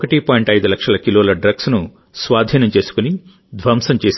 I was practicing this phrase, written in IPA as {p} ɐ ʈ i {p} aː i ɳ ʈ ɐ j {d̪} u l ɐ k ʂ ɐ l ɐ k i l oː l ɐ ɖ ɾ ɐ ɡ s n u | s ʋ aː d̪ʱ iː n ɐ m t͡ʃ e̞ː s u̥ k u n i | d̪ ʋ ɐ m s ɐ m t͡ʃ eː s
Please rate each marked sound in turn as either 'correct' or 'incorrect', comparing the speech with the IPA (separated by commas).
incorrect, correct, correct